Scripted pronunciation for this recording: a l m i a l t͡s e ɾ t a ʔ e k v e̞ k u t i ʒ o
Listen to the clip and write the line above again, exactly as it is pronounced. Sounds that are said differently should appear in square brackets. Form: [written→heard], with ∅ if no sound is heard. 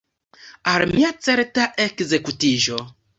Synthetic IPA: a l m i a [l→∅] t͡s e ɾ t a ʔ e k [v→z] e̞ k u t i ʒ o

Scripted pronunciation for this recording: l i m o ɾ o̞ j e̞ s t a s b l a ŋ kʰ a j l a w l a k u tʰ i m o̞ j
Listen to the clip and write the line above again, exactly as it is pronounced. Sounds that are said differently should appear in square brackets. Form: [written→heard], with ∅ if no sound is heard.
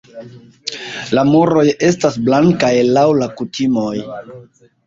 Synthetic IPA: l [i→a] m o ɾ o̞ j e̞ s t a s b l a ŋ [kʰ→k] a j l a w l a k u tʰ i m o̞ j

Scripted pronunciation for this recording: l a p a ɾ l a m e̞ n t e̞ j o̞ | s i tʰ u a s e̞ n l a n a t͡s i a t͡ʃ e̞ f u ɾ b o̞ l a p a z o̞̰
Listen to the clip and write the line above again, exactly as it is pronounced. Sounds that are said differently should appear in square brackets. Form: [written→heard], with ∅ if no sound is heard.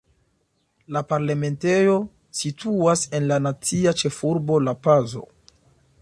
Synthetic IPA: l a p a ɾ l a m e̞ n t e̞ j o̞ | s i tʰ u a s e̞ n l a n a t͡s i a t͡ʃ e̞ f u ɾ b o̞ l a p a z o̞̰

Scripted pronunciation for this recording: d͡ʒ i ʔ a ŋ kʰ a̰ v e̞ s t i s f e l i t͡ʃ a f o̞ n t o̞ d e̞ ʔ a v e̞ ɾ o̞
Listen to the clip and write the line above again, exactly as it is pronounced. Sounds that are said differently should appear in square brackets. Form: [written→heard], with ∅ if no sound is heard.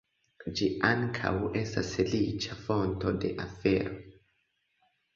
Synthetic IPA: d͡ʒ i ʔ a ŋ kʰ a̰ [v→w] e̞ s t [i→a] s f e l i t͡ʃ a f o̞ n t o̞ d e̞ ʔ a [v→f] e̞ ɾ o̞

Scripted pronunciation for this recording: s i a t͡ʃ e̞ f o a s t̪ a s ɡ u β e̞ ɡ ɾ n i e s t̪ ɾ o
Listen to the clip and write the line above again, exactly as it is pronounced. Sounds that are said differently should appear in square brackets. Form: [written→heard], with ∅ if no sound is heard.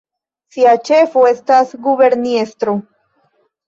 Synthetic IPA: s i a t͡ʃ e̞ f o [a→e] s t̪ a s ɡ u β e̞ [ɡ→∅] ɾ n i e s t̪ ɾ o

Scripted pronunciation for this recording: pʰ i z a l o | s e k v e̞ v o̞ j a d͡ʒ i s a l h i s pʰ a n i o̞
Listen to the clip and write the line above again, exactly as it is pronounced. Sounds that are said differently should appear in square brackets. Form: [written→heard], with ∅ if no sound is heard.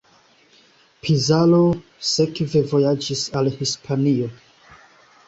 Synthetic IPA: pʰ i z a l o | s e k v e̞ v o̞ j a d͡ʒ i s a l h i s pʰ a n i o̞

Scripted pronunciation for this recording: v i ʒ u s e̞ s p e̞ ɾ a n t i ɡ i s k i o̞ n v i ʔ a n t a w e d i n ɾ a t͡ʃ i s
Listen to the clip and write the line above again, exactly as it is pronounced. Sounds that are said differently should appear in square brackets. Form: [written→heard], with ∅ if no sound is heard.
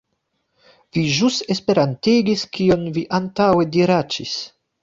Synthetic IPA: v i ʒ u s e̞ s p e̞ ɾ a n t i ɡ i s k i o̞ n v i ʔ a n t a w e d i [n→∅] ɾ a t͡ʃ i s

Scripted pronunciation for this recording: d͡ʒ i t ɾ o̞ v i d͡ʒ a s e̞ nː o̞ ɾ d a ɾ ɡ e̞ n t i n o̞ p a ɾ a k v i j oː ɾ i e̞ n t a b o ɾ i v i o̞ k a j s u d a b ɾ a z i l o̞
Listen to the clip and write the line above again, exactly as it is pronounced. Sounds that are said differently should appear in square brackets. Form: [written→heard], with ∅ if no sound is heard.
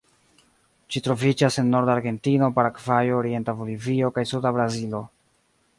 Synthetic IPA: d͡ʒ i t ɾ o̞ v i d͡ʒ a s e̞ nː o̞ ɾ d a ɾ ɡ e̞ n t i n o̞ p a ɾ a k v [i→a] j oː ɾ i e̞ n t a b o [ɾ→l] i v i o̞ k a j s u d a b ɾ a z i l o̞

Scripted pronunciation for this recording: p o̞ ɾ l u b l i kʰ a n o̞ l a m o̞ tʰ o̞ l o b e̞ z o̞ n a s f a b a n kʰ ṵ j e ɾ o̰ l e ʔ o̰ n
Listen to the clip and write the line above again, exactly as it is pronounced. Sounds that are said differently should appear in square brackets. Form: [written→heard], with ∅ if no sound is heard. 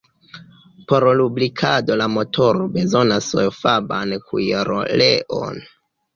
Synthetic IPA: p o̞ ɾ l u b l i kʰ a [n→d] o̞ l a m o̞ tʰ o̞ [l→ɾ] o b e̞ z o̞ n a s f a b a n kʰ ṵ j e ɾ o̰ l e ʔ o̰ n

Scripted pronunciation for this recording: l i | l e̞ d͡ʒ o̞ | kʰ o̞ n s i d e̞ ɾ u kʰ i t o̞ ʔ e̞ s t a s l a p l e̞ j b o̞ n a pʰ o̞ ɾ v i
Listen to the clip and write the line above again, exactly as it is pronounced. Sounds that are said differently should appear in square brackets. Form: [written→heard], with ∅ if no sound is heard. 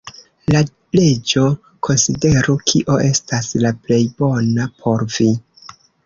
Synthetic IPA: l [i→a] | l e̞ d͡ʒ o̞ | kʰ o̞ n s i d e̞ ɾ u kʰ i [t→ʔ] o̞ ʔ e̞ s t a s l a p l e̞ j b o̞ n a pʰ o̞ ɾ v i

